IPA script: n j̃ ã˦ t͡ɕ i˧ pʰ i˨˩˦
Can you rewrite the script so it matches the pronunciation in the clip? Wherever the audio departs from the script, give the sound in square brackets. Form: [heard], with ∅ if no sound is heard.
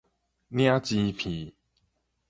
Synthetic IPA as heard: n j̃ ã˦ t͡ɕ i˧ pʰ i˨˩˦